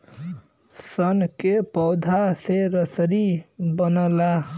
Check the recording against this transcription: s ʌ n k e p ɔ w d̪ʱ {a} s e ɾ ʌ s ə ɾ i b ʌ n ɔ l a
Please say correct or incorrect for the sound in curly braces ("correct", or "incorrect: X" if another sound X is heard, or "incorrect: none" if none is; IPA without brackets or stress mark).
correct